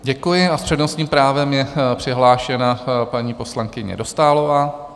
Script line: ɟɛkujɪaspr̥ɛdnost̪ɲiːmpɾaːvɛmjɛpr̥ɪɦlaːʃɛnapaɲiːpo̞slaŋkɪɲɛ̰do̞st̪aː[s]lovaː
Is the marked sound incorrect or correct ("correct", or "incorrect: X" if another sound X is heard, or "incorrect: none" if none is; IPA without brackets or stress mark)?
incorrect: none